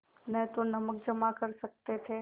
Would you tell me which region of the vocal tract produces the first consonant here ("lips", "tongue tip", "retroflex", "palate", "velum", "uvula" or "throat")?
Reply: tongue tip